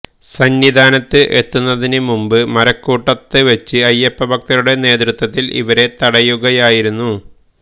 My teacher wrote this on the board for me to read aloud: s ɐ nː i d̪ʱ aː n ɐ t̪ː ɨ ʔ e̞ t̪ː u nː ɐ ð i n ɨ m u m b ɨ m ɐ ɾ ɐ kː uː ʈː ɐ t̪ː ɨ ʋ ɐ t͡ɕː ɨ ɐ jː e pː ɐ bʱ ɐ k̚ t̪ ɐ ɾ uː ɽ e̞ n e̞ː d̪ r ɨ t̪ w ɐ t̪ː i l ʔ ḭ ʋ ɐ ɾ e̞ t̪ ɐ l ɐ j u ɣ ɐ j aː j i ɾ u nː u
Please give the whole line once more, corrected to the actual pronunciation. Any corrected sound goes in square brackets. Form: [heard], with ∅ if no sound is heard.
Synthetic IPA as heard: s ɐ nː i d̪ʱ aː n ɐ t̪ː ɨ ʔ e̞ t̪ː u nː ɐ ð i n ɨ m u m b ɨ m ɐ ɾ ɐ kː uː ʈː ɐ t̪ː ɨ ʋ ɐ t͡ɕː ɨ ɐ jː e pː ɐ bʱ ɐ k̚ t̪ ɐ ɾ [u] ɽ e̞ n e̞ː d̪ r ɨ t̪ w ɐ t̪ː i l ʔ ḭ ʋ ɐ ɾ e̞ t̪ ɐ [ɽ] ɐ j u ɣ ɐ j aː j i ɾ u nː u

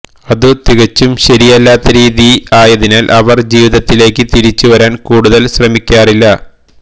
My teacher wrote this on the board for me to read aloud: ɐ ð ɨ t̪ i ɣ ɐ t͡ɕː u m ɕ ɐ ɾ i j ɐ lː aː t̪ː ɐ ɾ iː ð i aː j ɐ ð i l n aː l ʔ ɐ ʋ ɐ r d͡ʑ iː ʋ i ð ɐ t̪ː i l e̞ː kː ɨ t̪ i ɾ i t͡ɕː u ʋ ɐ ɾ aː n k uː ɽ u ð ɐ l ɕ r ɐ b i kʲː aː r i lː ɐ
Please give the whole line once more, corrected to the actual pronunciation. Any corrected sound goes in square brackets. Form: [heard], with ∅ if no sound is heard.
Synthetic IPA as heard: ɐ ð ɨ t̪ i ɣ ɐ t͡ɕː u m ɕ ɐ ɾ i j ɐ lː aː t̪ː ɐ ɾ iː ð i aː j ɐ ð i [∅] n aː l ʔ ɐ ʋ ɐ r d͡ʑ iː ʋ i ð ɐ t̪ː i l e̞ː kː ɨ t̪ i ɾ i t͡ɕː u ʋ ɐ ɾ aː n k uː ɽ u ð ɐ l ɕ r ɐ [m] i kʲː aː r i lː ɐ

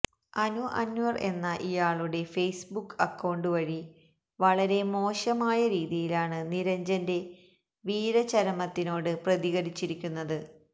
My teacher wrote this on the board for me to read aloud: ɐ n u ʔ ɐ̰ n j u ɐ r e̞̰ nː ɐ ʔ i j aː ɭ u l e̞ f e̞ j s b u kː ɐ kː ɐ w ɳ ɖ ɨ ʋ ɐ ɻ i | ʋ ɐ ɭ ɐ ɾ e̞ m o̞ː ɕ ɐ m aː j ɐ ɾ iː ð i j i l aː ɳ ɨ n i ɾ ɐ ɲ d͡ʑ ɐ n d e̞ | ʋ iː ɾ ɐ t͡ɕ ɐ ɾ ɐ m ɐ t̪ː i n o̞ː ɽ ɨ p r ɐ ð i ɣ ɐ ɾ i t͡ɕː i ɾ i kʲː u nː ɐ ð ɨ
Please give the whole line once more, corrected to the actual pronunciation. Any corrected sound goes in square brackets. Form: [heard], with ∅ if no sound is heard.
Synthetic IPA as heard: ɐ n u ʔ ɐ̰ n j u ɐ r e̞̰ nː ɐ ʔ i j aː ɭ u [ɽ] e̞ f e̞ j s b u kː ɐ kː ɐ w ɳ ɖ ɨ ʋ ɐ ɻ i | ʋ ɐ ɭ ɐ ɾ e̞ m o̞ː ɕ ɐ m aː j ɐ ɾ iː ð i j i l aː ɳ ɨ n i ɾ ɐ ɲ d͡ʑ ɐ n d e̞ | ʋ iː ɾ ɐ t͡ɕ ɐ ɾ ɐ m ɐ t̪ː i n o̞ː ɽ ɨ p r ɐ ð i ɣ ɐ ɾ i t͡ɕː i ɾ i kʲː u nː ɐ ð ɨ

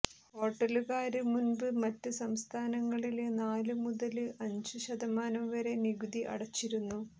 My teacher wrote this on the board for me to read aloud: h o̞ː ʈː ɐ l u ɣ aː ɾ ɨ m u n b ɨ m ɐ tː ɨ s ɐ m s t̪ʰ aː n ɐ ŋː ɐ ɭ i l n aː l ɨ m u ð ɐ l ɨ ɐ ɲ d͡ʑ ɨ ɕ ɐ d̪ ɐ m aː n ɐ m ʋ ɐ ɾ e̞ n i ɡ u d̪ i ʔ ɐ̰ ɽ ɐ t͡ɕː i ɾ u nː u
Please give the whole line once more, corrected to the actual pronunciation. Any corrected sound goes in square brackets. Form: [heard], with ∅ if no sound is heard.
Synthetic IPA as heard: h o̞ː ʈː ɐ l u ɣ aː ɾ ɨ m u n b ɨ m ɐ tː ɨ s ɐ m s t̪ʰ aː n ɐ ŋː ɐ ɭ i l n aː l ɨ m u ð ɐ l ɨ ɐ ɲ d͡ʑ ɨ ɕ ɐ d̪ ɐ m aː n ɐ m ʋ ɐ ɾ e̞ n i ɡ u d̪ i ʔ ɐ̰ ɽ ɐ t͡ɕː i ɾ u nː u

